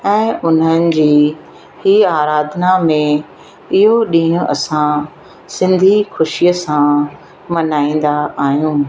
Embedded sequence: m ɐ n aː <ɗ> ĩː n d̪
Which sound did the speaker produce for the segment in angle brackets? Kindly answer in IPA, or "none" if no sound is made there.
none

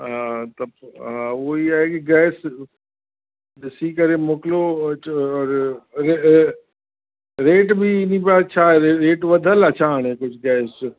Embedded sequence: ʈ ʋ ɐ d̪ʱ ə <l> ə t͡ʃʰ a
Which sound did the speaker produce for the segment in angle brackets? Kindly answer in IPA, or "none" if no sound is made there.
l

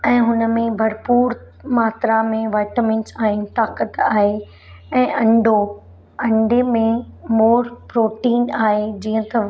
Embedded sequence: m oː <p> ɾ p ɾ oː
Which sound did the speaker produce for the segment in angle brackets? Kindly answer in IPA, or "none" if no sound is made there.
none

